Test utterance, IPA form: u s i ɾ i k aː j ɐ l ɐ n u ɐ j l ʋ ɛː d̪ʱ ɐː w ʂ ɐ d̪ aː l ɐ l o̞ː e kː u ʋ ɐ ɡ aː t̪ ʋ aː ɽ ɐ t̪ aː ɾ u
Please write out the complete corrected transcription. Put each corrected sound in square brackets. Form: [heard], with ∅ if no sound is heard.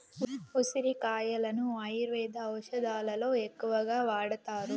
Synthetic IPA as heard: u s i ɾ i k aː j ɐ l ɐ n u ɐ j [ɾ] ʋ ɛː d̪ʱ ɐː w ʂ ɐ d̪ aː l ɐ l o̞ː e kː u ʋ ɐ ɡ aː [∅] ʋ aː ɽ ɐ t̪ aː ɾ u